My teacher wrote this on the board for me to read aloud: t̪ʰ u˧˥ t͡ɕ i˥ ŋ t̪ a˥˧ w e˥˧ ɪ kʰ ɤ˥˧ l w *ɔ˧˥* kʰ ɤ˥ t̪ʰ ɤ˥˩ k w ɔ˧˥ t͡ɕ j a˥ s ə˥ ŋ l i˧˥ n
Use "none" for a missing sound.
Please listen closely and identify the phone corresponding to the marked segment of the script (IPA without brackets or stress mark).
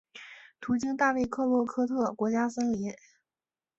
ɔ˥˩